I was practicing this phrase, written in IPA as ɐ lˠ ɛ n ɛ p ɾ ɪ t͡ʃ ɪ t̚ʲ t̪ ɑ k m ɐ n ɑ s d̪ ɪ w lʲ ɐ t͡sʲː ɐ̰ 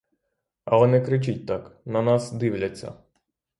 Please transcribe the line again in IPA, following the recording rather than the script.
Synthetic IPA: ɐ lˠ ɛ n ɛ k ɾ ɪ t͡ʃ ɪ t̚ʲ t̪ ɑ k n ɐ n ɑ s d̪ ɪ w lʲ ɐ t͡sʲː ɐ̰

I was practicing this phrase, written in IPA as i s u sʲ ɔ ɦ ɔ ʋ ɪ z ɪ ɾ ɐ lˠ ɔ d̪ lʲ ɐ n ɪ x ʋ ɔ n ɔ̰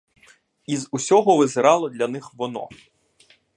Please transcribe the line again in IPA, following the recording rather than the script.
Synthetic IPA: i z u sʲ ɔ ɦ ɔ ʋ ɪ z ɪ ɾ ɑ lˠ ɔ d̪ lʲ ɐ n ɪ x ʋ ɔ n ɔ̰

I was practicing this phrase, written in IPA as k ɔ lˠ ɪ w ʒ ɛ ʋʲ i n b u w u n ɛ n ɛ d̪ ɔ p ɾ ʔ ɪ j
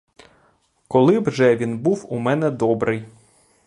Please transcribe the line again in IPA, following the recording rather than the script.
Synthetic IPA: k ɔ lˠ ɪ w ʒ ɛ ʋʲ i n b u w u m ɛ n ɛ d̪ ɔ b ɾ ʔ ɪ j

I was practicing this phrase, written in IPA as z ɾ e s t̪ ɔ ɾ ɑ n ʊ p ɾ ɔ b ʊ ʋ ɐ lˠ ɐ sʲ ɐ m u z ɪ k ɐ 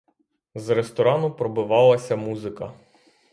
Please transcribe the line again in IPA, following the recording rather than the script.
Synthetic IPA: z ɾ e s t̪ ɔ ɾ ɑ n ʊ p ɾ ɔ b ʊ ʋ ɑ lˠ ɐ sʲ ɐ m u z ɪ k ɐ

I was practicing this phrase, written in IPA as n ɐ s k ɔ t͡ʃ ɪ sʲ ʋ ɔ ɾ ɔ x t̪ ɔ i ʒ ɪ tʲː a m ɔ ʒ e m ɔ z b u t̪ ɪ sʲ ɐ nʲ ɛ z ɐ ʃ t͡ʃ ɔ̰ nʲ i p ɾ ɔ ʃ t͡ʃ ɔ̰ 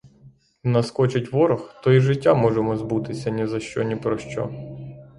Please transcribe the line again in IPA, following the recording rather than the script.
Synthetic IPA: n ɐ s k ɔ t͡ʃ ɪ tʲ ʋ ɔ ɾ ɔ x t̪ ɔ i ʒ ɪ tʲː a m ɔ ʒ e m ɔ z b u t̪ ɪ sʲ ɐ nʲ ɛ z ɐ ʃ t͡ʃ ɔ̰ nʲ i p ɾ ɔ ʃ t͡ʃ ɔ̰

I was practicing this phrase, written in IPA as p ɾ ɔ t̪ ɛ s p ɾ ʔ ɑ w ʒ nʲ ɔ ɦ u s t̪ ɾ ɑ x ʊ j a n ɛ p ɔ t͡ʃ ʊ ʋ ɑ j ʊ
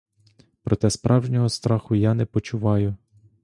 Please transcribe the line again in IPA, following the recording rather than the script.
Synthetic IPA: p ɾ ɔ t̪ ɛ s p ɾ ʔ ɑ w ʒ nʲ ɔ ɦ ɔ s t̪ ɾ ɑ x ʊ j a n ɛ p ɔ t͡ʃ ʊ ʋ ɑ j ʊ

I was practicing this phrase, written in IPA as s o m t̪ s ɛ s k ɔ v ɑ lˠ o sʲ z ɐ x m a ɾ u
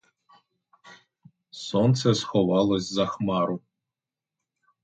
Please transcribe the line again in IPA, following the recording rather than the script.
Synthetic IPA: s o n t̪ s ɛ s x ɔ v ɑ lˠ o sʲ z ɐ x m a ɾ u

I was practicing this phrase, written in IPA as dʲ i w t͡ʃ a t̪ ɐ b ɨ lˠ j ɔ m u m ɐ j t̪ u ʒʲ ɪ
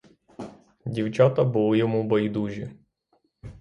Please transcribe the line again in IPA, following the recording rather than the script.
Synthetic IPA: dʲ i w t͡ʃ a t̪ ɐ b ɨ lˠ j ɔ m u b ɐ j d̪ u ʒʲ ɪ

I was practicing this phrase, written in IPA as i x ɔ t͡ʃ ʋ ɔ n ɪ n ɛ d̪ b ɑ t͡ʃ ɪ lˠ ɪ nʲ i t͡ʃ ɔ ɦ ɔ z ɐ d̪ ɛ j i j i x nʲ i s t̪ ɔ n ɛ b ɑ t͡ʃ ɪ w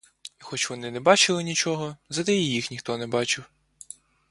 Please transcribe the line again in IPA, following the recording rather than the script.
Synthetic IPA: i x ɔ t͡ʃ ʋ ɔ n ɪ n ɛ b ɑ t͡ʃ ɪ lˠ ɪ nʲ i t͡ʃ ɔ ɦ ɔ z ɐ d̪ ɛ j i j i x nʲ i x t̪ ɔ n ɛ b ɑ t͡ʃ ɪ w

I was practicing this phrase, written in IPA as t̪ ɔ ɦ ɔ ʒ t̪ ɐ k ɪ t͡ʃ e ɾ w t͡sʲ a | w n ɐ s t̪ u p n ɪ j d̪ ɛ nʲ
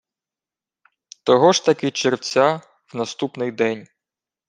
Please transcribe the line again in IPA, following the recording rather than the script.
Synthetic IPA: t̪ ɔ ɦ ɔ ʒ t̪ ɐ k ɪ t͡ʃ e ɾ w t͡sʲ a | w n ɐ s t̪ u p n ɪ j d̪ ɛ nʲ

